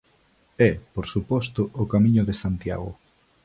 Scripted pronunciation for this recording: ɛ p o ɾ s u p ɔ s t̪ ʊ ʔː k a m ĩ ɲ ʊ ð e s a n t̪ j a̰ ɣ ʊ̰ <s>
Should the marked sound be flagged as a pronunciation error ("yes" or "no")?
yes